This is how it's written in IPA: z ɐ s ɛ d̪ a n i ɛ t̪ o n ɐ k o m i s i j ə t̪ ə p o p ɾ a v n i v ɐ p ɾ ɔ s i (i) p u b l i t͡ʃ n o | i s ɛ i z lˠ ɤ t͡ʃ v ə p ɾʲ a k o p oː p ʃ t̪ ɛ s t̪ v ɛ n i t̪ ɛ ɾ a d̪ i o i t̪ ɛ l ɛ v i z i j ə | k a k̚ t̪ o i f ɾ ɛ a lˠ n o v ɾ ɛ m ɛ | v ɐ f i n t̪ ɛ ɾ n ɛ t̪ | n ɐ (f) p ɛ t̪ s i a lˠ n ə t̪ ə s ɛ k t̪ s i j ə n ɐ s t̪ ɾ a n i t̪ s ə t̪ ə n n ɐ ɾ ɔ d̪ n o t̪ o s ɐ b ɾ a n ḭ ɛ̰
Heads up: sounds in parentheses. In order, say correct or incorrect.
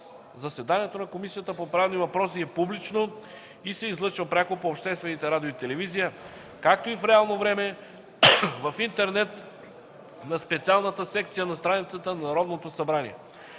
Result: incorrect: ɛ, incorrect: s

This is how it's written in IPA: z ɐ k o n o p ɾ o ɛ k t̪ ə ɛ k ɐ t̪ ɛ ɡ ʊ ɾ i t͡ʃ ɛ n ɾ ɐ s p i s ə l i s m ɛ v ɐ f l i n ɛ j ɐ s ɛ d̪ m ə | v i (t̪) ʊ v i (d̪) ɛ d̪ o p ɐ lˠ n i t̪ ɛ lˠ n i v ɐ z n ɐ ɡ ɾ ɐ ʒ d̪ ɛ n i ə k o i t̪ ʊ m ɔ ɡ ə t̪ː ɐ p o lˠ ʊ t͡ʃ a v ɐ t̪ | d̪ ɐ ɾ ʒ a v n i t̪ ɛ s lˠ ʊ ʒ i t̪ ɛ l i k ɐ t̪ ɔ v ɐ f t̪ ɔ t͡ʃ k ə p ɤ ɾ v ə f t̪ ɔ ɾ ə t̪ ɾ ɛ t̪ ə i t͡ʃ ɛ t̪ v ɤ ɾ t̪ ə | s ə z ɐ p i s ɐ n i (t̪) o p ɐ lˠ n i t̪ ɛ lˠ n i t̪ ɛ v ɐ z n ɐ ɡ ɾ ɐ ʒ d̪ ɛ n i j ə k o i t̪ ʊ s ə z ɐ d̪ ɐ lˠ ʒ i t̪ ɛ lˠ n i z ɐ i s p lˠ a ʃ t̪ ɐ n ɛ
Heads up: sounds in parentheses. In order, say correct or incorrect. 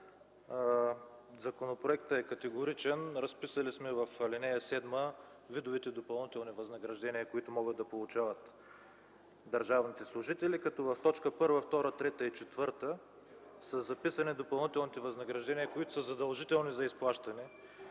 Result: incorrect: d̪, incorrect: t̪, incorrect: d̪

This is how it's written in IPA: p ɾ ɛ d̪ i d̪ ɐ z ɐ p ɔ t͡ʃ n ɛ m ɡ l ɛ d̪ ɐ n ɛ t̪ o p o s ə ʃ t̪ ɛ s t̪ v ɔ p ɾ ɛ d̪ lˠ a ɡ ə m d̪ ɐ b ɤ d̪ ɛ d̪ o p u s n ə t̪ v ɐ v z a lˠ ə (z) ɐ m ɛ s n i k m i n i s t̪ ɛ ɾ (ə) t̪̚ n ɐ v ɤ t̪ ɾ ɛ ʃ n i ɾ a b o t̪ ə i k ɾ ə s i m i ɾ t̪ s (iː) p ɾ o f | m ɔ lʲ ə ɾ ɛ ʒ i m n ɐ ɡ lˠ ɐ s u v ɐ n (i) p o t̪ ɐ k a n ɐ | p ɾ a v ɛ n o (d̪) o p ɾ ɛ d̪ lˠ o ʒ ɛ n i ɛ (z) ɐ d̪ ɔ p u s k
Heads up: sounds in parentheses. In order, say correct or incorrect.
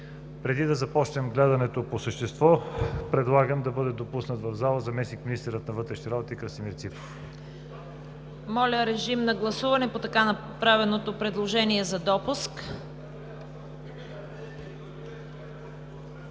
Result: correct, correct, incorrect: i, incorrect: ɛ, incorrect: t̪, correct

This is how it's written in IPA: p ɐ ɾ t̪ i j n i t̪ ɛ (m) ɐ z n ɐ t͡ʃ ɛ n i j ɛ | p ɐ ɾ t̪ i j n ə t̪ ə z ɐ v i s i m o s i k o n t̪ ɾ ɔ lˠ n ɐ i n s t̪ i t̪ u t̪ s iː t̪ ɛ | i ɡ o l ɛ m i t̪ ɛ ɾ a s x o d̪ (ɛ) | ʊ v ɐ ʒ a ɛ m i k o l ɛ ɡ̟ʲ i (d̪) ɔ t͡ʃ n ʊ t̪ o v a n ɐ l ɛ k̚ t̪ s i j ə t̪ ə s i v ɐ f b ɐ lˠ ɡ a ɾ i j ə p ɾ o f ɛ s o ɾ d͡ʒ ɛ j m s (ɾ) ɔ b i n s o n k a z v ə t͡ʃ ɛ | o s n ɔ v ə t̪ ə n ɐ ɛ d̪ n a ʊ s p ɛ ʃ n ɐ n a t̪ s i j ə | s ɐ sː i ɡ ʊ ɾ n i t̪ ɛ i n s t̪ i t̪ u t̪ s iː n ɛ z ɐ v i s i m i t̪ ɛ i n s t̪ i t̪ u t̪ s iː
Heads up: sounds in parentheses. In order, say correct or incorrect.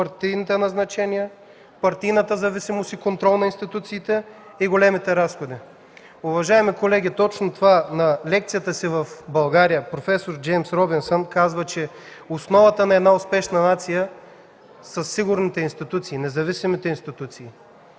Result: incorrect: n, incorrect: i, incorrect: t̪, correct

